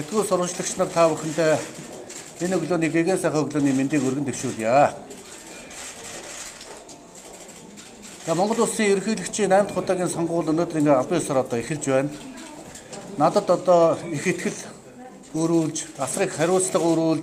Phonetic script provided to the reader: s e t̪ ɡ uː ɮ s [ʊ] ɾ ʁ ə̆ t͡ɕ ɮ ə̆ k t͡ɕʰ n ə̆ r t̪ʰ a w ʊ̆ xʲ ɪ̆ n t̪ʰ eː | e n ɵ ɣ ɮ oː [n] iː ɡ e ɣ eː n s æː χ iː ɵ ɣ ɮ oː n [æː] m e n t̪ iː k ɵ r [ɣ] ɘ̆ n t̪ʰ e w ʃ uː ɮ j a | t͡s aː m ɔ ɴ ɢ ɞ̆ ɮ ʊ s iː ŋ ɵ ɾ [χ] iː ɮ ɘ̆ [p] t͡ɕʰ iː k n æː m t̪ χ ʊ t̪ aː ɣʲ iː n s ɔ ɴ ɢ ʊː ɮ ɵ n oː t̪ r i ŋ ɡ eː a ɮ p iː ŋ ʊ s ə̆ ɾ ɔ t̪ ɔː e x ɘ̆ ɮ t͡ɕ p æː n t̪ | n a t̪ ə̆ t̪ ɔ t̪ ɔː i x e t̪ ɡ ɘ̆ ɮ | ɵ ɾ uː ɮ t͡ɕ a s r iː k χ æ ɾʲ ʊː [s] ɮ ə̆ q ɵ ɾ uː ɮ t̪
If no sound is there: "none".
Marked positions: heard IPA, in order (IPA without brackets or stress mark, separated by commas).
ʊ, n, iː, ɣ, x, k, t͡s